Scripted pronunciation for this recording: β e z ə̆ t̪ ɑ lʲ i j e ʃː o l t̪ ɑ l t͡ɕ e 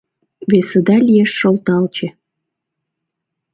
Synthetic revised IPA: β e s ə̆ d̪ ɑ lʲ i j e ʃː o l t̪ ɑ l t͡ɕ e